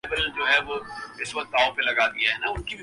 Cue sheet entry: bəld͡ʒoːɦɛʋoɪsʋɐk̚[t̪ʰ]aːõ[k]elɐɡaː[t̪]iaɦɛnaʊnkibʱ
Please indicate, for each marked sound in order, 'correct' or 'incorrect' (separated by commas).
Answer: incorrect, incorrect, incorrect